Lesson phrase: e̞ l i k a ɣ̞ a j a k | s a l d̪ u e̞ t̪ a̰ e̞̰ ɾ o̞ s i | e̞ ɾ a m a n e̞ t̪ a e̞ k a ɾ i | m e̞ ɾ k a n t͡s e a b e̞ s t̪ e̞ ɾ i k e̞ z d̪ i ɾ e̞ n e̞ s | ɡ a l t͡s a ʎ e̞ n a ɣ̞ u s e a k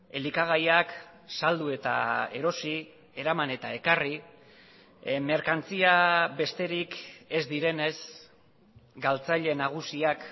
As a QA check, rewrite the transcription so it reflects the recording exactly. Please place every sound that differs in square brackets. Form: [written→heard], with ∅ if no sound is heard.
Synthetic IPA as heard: e̞ l i k a ɣ̞ a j a k | s a l d̪ u e̞ t̪ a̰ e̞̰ ɾ o̞ s i | e̞ ɾ a m a n e̞ t̪ a e̞ k a [ɾ→r] i | m e̞ ɾ k a n t͡s [e→i] a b e̞ s t̪ e̞ ɾ i k e̞ z d̪ i ɾ e̞ n e̞ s | ɡ a l t͡s a ʎ e̞ n a ɣ̞ u s [e→i] a k